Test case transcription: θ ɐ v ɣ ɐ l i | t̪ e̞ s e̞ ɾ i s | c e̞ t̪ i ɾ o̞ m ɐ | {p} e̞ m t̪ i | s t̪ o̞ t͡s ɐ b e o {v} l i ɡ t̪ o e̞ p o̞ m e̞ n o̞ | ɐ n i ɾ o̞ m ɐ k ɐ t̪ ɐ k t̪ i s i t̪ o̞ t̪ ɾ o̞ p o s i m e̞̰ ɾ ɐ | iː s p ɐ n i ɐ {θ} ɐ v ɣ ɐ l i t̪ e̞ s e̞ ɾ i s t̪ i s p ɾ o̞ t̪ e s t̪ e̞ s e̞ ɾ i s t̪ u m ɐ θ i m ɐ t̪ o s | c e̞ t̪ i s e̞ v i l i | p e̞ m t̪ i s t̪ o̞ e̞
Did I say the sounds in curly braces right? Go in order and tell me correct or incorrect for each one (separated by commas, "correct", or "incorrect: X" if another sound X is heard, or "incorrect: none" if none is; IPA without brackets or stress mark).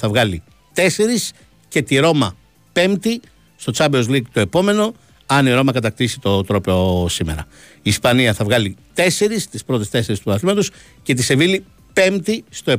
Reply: correct, incorrect: z, correct